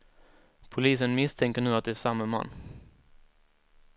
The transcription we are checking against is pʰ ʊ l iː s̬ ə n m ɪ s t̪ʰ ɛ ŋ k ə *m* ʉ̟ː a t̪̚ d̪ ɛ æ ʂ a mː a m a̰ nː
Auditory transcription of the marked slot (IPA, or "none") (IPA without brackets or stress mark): ɳ